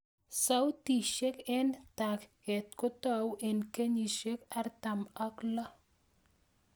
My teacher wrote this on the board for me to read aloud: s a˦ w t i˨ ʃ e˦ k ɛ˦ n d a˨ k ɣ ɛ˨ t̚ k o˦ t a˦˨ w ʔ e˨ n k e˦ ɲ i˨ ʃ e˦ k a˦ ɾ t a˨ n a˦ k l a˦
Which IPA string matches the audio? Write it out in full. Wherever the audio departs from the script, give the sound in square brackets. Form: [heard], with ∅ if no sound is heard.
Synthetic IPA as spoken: s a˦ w t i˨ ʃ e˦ k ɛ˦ n [t] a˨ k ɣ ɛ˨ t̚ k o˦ t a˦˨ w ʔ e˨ n k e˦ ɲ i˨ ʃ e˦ k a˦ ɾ t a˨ [m] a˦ k l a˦